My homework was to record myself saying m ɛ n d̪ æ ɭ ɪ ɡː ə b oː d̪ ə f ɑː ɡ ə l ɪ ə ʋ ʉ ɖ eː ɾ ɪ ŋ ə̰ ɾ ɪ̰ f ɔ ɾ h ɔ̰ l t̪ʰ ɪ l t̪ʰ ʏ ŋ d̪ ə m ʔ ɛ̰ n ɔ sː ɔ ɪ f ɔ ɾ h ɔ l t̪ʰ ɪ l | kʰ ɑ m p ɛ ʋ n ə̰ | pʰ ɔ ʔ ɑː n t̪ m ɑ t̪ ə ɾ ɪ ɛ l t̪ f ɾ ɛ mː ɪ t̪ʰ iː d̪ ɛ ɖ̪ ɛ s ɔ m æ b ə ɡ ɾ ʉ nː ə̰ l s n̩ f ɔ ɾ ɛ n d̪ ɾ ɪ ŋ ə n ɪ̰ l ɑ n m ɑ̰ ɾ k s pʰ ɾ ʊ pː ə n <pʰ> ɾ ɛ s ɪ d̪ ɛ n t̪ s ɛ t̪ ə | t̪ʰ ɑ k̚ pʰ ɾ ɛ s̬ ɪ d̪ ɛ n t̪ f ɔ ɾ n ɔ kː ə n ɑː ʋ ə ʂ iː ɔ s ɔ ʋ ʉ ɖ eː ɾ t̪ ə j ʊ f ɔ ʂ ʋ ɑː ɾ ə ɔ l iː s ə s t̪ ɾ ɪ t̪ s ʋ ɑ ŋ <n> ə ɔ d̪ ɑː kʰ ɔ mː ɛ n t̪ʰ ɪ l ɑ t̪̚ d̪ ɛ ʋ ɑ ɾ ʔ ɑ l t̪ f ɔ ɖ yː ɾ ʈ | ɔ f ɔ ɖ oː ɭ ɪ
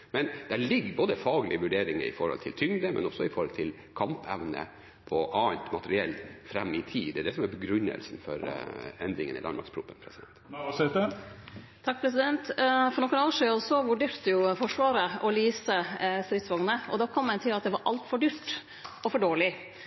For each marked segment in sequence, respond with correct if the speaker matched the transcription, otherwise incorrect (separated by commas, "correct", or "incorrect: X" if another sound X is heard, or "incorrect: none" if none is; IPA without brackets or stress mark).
correct, correct